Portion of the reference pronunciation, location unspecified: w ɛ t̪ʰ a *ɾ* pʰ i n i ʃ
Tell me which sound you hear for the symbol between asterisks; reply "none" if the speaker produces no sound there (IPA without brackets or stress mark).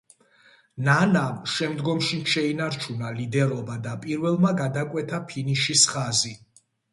none